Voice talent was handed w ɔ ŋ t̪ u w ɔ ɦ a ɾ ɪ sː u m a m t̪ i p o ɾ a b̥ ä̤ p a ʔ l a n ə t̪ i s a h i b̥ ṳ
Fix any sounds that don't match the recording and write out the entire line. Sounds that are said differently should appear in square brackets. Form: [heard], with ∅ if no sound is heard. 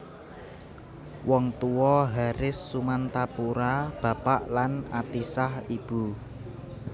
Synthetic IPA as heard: w ɔ ŋ t̪ u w ɔ ɦ a ɾ ɪ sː u m a [n] t̪ [a] p [u] ɾ a b̥ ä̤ p a ʔ l a n [a] t̪ i s a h i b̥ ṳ